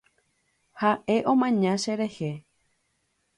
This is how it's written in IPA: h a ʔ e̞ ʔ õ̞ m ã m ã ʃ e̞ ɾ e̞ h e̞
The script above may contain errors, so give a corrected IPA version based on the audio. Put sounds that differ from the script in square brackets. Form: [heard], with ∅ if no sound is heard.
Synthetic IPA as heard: h a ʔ e̞ ʔ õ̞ m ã [ɲ] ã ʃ e̞ ɾ e̞ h e̞